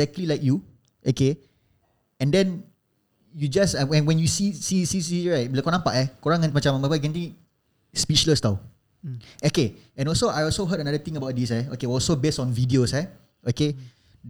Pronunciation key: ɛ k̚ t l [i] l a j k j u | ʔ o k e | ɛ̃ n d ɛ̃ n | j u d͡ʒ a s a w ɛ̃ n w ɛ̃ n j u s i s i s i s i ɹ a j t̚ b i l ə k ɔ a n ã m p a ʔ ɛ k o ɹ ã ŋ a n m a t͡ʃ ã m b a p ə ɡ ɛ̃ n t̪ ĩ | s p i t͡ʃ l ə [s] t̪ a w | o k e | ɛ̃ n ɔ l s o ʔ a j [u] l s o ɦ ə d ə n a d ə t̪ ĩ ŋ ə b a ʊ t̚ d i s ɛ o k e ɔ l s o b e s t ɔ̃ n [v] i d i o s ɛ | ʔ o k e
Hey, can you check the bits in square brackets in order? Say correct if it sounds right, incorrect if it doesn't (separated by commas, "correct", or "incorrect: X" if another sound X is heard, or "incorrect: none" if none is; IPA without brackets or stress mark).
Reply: correct, correct, incorrect: ɔ, correct